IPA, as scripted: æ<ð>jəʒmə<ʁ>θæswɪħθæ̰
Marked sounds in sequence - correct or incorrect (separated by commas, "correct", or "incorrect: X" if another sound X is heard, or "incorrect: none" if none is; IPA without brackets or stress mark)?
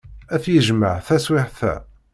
incorrect: θ, incorrect: ʕ